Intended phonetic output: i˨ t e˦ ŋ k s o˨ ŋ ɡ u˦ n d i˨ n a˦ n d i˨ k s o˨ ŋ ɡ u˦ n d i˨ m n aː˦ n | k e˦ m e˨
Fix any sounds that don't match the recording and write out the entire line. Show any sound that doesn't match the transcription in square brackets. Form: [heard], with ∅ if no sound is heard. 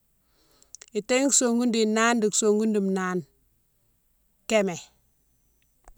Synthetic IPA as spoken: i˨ t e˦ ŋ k s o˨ ŋ ɡ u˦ n d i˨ n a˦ n d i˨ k s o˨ ŋ ɡ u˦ n d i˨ m n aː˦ n | k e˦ m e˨